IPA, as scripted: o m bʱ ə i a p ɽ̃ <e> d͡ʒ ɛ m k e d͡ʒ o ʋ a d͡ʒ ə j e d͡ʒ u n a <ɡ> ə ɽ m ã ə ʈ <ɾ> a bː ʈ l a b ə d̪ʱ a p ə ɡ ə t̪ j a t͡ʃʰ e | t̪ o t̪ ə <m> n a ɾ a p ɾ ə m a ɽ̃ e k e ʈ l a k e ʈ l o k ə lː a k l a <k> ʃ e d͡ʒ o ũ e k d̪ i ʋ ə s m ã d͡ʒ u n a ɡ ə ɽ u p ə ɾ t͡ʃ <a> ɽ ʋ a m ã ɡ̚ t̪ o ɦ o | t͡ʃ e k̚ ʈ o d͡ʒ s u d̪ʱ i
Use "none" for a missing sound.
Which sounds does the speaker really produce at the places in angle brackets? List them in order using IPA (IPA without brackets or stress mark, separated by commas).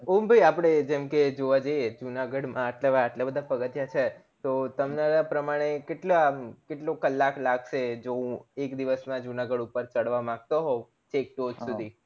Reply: e, ɡ, l, m, ɡ, ə